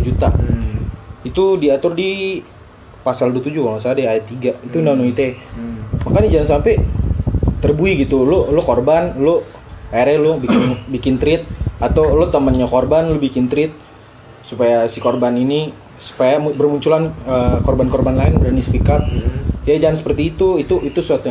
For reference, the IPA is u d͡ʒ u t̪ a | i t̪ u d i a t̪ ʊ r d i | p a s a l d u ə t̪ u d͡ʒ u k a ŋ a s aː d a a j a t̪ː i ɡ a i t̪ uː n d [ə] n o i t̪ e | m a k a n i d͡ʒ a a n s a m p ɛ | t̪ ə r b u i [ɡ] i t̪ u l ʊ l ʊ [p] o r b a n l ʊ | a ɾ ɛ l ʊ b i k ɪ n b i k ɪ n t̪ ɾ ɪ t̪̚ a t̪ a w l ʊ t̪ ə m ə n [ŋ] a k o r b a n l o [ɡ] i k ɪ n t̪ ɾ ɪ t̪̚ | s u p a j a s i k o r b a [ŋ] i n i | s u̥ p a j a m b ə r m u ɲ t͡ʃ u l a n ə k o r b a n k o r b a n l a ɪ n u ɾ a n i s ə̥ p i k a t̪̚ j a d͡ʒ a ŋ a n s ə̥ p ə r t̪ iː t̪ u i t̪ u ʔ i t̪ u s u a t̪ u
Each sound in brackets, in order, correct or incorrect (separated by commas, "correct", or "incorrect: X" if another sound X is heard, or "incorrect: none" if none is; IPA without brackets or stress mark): incorrect: a, correct, incorrect: k, incorrect: ɲ, incorrect: b, incorrect: n